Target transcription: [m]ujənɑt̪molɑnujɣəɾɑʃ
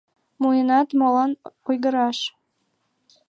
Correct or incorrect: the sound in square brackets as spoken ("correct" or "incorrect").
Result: correct